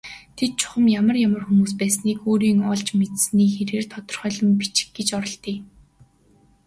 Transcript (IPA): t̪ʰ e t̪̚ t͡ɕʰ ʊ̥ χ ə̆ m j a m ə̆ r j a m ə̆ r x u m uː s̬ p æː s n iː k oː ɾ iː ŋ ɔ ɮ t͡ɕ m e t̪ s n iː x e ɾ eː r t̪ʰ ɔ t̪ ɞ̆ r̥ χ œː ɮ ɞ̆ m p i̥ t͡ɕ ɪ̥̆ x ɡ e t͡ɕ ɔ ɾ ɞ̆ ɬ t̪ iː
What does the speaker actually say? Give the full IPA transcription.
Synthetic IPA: t̪ʰ e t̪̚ t͡ɕʰ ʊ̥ χ ə̆ m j a m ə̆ r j a m ə̆ r x u m uː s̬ p æː s n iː k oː ɾ iː ŋ ɔ ɮ t͡ɕ m e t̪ s n iː x e ɾ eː r t̪ʰ ɔ t̪ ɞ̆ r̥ χ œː ɮ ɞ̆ m p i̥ t͡ɕ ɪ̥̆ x ɡ e t͡ɕ ɔ ɾ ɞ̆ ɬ t̪ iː

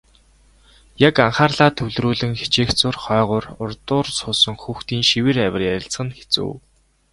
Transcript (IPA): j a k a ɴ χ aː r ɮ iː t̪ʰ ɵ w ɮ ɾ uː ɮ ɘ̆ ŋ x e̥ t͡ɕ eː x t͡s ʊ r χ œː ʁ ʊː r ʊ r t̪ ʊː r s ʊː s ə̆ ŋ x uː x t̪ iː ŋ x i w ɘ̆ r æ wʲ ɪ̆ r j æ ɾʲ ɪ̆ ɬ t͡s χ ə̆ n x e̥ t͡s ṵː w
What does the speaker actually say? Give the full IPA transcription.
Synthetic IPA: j a k a ɴ χ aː r ɮ aː t̪ʰ ɵ w ɮ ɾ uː ɮ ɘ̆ ŋ x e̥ t͡ɕ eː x t͡s ʊ r χ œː ʁ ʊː r ʊ r t̪ ʊː r s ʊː s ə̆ ŋ x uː x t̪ iː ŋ ʃ i w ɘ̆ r æ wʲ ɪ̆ r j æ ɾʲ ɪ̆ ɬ t͡s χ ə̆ n x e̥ t͡s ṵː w

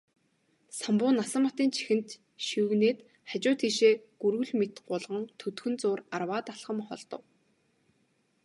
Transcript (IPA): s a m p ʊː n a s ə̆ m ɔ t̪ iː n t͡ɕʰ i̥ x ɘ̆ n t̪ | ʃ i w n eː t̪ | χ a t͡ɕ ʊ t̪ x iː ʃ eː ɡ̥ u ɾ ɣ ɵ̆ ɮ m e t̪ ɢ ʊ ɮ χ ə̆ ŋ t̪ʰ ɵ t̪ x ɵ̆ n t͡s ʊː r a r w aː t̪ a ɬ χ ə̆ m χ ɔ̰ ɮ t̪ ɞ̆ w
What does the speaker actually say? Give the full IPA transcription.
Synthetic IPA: s a m p ʊː n a s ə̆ m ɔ t̪ iː n t͡ɕʰ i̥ x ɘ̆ n t̪ | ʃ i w n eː t̪ | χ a t͡ɕ ʊː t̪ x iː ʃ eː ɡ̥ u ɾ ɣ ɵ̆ ɮ m e t̪ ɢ ʊ ɮ ʁ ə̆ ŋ t̪ʰ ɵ t̪ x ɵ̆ n t͡s ʊː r a r w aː t̪ a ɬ χ ə̆ m χ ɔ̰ ɮ t̪ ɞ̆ w

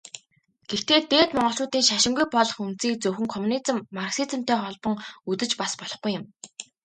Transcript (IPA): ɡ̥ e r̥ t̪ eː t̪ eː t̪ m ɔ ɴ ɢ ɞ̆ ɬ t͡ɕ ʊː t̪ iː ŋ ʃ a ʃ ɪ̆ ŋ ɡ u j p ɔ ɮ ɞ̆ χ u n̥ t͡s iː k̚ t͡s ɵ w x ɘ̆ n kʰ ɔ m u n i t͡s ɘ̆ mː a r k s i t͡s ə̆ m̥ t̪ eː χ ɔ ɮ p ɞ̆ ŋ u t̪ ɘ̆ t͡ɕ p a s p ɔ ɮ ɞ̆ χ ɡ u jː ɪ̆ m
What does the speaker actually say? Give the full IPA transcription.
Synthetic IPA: ɡ̥ e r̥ t̪ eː t̪ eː t̪ m ɔ ɴ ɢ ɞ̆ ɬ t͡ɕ ʊː t̪ iː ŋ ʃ a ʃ ɪ̆ ŋ ɡ u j p ɔ ɮ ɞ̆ χ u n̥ t͡s iː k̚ t͡s ɵ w x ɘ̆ ŋ kʰ ɔ m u n i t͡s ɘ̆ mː a r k s i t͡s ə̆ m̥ t̪ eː χ ɔ ɮ p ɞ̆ ŋ u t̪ ɘ̆ t͡ɕ p a s p ɔ ɮ ɞ̆ χ ɡ u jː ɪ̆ m

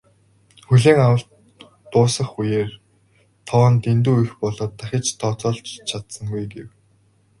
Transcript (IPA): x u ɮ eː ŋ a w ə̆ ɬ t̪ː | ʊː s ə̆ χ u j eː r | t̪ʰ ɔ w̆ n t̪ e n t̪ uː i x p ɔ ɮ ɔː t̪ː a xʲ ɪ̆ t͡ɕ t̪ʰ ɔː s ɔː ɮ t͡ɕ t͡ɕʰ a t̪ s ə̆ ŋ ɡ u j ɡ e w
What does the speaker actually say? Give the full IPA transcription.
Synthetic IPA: x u ɮ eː ŋ a w ə̆ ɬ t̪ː | ʊː s ə̆ χ u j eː r | t̪ʰ ɔ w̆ n t̪ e n t̪ uː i x p ɔ ɮ ɔː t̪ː a xʲ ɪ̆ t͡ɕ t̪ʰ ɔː t͡s ɔː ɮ t͡ɕ t͡ɕʰ a t̪ s ə̆ ŋ ɡ u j ɡ e w

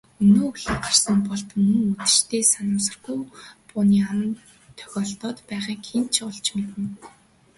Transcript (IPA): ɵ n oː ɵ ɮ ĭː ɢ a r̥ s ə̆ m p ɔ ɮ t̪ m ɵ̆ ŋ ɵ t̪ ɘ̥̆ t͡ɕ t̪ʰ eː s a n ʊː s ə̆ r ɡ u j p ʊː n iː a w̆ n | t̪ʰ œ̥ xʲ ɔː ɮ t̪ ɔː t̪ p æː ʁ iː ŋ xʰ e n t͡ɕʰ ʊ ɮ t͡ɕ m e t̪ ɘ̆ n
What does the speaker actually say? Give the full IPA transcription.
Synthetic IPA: ɵ n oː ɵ ɮ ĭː ɢ a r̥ s ə̆ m p ɔ ɮ t̪ m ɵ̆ ŋ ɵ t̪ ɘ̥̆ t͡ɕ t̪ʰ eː s a n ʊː s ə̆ r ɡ u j p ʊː n iː a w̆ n | t̪ʰ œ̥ xʲ ɔː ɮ t̪ ɔː t̪ p æː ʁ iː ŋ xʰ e n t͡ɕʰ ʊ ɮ t͡ɕ m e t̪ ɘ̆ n

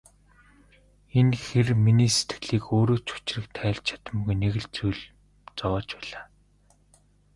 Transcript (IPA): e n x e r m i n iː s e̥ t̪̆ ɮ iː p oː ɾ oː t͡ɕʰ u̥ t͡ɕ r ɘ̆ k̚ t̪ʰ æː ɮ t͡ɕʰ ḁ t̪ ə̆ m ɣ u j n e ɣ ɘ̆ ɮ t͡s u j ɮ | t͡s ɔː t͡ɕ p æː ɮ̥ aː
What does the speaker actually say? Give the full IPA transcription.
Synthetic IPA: e n x e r m i n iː s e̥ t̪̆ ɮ iː k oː ɾ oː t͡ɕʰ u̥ t͡ɕ r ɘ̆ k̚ t̪ʰ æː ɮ t͡ɕʰ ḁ t̪ ə̆ m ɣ u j n e ɣ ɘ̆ ɮ t͡s u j ɮ | t͡s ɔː t͡ɕ p æː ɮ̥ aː

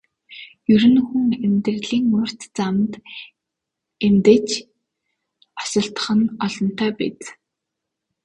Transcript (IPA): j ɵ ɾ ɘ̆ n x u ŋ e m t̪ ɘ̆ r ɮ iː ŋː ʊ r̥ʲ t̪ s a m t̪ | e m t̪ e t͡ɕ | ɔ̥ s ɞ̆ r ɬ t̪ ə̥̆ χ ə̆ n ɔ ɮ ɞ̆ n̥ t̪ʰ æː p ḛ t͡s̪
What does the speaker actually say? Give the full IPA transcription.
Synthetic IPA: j ɵ ɾ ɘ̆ n x u ŋ e m t̪ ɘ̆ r ɮ iː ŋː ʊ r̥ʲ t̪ t͡s a m t̪ | e m t̪ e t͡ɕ | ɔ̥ s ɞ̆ ɬ t̪ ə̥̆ χ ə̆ n ɔ ɮ ɞ̆ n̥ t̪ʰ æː p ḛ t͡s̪

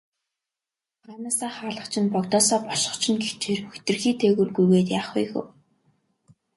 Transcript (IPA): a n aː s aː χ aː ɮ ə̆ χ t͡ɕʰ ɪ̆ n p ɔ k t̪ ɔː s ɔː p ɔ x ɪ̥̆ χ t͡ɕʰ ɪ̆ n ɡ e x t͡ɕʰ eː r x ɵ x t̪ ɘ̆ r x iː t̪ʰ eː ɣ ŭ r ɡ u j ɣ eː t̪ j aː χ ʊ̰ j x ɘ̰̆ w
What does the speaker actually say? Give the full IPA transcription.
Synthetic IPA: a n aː s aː χ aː ɮ ə̆ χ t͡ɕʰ ɪ̆ n p ɔ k t̪ ɔː s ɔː p ɔ ʃ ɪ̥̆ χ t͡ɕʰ ɪ̆ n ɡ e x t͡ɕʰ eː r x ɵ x t̪ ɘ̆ r x iː t̪ʰ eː ɣ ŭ r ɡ u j ɣ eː t̪ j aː χ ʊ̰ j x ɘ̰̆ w

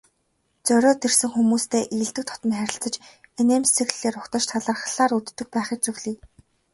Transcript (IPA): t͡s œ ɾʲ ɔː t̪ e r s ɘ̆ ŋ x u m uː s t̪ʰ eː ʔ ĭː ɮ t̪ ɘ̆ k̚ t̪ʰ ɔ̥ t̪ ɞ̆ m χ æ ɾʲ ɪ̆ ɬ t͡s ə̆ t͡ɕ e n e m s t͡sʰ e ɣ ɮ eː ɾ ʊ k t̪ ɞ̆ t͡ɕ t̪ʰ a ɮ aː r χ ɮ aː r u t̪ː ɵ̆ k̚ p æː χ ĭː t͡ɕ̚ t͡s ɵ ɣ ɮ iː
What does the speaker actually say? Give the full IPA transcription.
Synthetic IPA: t͡s œ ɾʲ ɔː t̪ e r s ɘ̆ ŋ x u m uː s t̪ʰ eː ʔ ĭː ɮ t̪ ɘ̆ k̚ t̪ʰ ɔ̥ t̪ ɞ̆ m χ æ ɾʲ ɪ̆ ɬ t͡s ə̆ t͡ɕ e n e m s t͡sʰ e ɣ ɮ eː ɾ ʊ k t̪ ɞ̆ t͡ɕ t̪ʰ a ɮ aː r χ ɮ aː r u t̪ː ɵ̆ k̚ p æː χ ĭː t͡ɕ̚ t͡s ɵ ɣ ɮ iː

